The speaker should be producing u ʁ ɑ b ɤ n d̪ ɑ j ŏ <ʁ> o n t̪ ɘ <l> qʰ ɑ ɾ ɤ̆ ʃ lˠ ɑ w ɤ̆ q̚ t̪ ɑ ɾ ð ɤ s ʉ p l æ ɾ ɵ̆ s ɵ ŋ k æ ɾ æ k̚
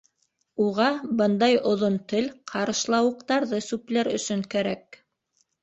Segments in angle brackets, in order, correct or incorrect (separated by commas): incorrect, correct